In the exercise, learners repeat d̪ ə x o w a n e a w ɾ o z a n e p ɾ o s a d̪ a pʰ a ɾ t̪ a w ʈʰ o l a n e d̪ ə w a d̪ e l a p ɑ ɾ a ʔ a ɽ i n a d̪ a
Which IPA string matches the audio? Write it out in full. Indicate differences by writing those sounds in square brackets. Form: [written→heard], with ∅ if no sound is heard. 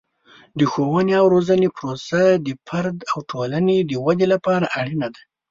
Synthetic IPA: d̪ ə x o w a n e a w ɾ o z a n e p ɾ o s a d̪ [a→ə] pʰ a ɾ [t̪→d̪] a w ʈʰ o l a n e d̪ ə w a d̪ e l a p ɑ ɾ a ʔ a ɽ i n a d̪ a